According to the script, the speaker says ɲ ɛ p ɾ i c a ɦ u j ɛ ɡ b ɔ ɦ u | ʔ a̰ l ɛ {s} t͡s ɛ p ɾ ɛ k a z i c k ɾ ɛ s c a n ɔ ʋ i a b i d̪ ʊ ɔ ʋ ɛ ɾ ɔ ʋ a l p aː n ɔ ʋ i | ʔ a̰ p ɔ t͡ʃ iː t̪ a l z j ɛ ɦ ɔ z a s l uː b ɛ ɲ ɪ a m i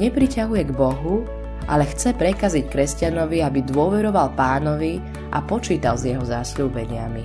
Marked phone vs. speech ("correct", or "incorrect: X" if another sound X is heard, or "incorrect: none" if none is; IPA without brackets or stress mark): incorrect: x